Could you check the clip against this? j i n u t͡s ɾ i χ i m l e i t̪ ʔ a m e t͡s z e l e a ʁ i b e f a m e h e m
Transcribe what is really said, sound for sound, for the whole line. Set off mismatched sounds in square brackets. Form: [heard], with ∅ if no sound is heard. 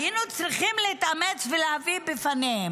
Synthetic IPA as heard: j i n u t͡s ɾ i χ i m l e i t̪ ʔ a m e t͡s [v] e l e a [v] i b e f a [n] e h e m